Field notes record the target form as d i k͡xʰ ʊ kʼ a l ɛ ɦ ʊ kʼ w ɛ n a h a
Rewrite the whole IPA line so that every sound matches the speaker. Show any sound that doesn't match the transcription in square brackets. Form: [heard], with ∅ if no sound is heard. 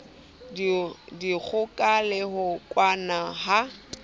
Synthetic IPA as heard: d i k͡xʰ ʊ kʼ a l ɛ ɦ ʊ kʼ w [a] n a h a